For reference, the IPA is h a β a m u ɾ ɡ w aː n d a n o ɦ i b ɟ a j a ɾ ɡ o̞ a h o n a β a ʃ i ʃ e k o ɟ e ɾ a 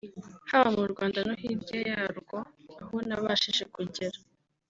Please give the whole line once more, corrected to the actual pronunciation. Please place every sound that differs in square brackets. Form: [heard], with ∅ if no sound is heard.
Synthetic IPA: h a β a m u ɾ ɡ w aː n d a n o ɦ i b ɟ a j a ɾ ɡ o̞ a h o n a β a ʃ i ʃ e k [u] ɟ e ɾ a